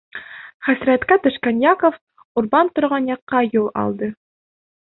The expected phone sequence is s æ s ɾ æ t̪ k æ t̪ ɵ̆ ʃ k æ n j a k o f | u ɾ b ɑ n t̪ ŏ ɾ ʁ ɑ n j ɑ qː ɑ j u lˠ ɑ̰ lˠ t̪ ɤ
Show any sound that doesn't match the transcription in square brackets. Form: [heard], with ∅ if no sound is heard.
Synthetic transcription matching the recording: [χ] æ s ɾ æ t̪ k æ t̪ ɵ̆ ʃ k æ n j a k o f | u ɾ b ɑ n t̪ ŏ ɾ ʁ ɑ n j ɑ qː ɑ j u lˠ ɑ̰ lˠ [d̪] ɤ